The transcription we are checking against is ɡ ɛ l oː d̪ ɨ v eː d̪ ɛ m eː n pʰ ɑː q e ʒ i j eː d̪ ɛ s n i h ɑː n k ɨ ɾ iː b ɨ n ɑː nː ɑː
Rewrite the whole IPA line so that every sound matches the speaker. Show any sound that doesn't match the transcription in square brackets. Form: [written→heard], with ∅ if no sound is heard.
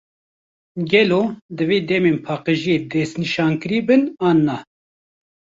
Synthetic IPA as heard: ɡ ɛ l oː d̪ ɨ v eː d̪ ɛ m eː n pʰ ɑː q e ʒ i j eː d̪ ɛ s n i [h→ʃ] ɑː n k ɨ ɾ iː b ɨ n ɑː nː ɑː

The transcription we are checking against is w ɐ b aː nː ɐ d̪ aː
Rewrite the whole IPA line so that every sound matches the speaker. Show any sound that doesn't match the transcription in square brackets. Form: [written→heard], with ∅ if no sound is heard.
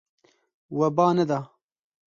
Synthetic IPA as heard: w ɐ b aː [nː→n] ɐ d̪ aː

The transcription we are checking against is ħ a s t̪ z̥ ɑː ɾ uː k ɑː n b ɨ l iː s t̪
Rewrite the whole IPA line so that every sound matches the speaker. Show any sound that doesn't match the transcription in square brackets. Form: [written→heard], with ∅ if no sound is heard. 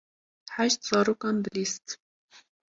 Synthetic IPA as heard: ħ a [s→ʃ] t̪ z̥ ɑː ɾ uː k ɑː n b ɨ l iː s t̪

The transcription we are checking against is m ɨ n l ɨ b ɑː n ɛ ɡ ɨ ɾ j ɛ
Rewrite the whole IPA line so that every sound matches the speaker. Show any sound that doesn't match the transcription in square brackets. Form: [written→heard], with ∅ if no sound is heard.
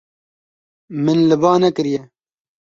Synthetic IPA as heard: m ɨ n l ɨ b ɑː n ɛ [ɡ→k] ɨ ɾ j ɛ

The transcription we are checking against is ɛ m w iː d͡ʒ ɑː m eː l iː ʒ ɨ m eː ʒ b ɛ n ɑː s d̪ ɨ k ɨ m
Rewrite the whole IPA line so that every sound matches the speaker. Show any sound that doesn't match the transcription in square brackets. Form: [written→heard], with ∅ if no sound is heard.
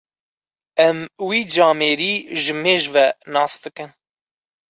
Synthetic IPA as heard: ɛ m w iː d͡ʒ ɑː m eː [l→ɾ] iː ʒ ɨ m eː ʒ [b→v] ɛ n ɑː s d̪ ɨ k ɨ [m→n]

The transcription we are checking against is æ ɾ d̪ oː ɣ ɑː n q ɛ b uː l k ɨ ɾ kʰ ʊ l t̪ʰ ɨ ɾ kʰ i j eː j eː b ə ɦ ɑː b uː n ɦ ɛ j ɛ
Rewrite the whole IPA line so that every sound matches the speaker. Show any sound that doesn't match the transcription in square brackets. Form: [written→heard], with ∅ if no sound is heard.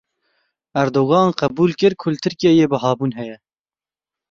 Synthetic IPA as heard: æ ɾ d̪ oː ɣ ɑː n q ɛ b uː l k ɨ ɾ kʰ ʊ l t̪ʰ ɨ ɾ [kʰ→k] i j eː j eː b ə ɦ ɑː b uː n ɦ ɛ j ɛ

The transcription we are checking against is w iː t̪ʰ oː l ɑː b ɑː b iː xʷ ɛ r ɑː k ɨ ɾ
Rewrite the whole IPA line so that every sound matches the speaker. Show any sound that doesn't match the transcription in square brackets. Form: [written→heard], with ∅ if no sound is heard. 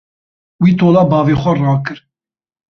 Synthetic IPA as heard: w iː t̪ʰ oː l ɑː b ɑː [b→v] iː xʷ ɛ r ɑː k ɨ ɾ

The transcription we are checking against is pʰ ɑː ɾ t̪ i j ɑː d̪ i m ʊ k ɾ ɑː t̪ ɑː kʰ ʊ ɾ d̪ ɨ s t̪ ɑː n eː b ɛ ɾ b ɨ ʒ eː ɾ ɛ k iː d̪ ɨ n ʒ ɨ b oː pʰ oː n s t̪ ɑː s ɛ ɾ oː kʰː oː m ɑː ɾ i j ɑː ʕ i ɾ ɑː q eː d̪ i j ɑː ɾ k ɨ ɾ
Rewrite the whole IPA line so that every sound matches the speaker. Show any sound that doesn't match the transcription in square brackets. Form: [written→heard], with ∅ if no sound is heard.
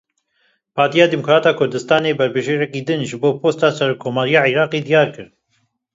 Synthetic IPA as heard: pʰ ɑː ɾ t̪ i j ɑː d̪ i m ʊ k ɾ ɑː t̪ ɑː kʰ ʊ ɾ d̪ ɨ s t̪ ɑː n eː b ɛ ɾ b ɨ ʒ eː ɾ ɛ k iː d̪ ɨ n ʒ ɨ b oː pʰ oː [n→∅] s t̪ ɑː s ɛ ɾ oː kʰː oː m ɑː ɾ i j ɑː ʕ i ɾ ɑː q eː d̪ i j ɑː ɾ k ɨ ɾ

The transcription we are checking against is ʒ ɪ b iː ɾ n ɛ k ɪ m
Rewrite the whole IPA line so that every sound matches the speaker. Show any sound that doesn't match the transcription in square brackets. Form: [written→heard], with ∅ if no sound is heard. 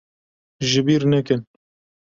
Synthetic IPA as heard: ʒ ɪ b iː ɾ n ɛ k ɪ [m→n]

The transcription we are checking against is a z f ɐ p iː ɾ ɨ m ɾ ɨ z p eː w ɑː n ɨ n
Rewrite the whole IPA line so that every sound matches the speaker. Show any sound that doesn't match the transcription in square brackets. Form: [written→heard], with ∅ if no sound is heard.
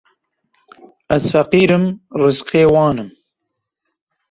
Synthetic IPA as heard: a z f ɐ [p→q] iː ɾ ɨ m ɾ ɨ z [p→q] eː w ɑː n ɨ [n→m]

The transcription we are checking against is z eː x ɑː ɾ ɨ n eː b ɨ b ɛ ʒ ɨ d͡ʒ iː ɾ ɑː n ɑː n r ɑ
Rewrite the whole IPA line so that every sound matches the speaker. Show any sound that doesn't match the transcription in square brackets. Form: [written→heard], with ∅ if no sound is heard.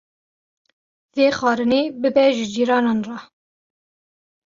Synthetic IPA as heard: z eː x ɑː ɾ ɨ n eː b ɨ b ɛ ʒ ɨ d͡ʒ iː ɾ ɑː n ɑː n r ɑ

